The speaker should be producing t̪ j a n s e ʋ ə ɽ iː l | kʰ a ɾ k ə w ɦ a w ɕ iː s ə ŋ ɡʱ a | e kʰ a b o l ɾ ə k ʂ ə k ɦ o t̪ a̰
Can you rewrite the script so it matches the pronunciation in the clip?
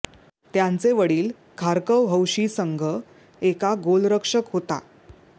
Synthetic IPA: t̪ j a n t͡s e ʋ ə ɽ iː l | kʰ a ɾ k ə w ɦ ə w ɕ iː s ə ŋ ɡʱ ə | e k a ɡ o l ɾ ə k ʂ ə k ɦ o t̪ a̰